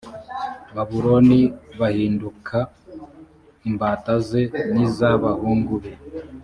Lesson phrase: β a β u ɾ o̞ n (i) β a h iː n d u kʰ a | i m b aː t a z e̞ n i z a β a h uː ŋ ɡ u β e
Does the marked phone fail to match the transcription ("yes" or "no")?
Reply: no